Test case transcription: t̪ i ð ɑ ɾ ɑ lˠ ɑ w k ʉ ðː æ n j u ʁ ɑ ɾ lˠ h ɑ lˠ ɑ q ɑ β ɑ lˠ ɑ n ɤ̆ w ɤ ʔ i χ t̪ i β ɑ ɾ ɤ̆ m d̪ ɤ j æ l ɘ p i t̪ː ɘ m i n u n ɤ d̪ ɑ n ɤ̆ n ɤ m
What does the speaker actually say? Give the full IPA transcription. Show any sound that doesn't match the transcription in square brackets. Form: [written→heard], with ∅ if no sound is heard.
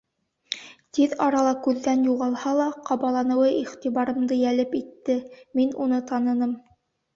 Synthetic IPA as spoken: t̪ i ð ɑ ɾ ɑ lˠ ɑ [w→∅] k ʉ ðː æ n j u ʁ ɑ [ɾ→∅] lˠ h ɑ lˠ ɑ q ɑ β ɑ lˠ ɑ n ɤ̆ w ɤ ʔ i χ t̪ i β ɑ ɾ ɤ̆ m d̪ ɤ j æ l ɘ p i t̪ː ɘ m i n u n ɤ [d̪→t̪] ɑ n ɤ̆ n ɤ m

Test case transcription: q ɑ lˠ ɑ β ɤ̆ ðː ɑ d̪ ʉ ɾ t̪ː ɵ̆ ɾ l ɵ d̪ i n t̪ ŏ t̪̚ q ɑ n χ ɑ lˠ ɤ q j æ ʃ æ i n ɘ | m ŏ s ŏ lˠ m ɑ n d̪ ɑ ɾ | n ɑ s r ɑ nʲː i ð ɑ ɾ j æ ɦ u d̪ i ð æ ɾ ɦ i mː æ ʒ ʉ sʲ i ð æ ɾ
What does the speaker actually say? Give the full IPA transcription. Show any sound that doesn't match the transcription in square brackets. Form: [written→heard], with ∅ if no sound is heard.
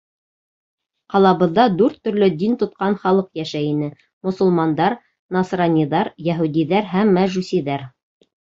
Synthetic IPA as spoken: q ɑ lˠ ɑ β ɤ̆ ðː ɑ d̪ ʉ ɾ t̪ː ɵ̆ ɾ l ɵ d̪ i n t̪ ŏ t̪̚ q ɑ n χ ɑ lˠ ɤ q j æ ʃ æ i n ɘ | m ŏ s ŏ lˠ m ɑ n d̪ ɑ ɾ | n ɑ s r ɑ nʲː i ð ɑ ɾ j æ ɦ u d̪ i ð æ ɾ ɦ [i→æ] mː æ ʒ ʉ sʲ i ð æ ɾ

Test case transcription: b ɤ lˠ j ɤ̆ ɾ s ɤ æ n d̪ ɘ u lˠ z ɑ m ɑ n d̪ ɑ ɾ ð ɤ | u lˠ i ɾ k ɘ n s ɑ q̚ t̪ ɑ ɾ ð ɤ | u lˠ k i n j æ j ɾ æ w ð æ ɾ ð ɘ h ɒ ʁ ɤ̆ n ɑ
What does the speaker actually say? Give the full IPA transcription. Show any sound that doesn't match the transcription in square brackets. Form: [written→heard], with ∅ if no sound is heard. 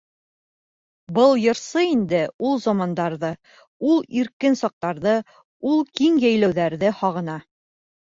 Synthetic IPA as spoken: b ɤ lˠ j ɤ̆ ɾ s ɤ [æ→i] n d̪ ɘ u lˠ z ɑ m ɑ n d̪ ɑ ɾ ð ɤ | u lˠ i ɾ k ɘ n s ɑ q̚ t̪ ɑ ɾ ð ɤ | u lˠ k i [n→ŋ] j æ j [ɾ→l] æ w ð æ ɾ ð ɘ h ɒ ʁ ɤ̆ n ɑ

